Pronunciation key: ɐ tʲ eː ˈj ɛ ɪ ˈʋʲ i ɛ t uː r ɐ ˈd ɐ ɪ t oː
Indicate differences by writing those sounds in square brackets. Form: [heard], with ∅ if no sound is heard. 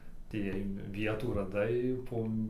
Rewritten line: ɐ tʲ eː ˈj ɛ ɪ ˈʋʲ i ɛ t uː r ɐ ˈd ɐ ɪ [p] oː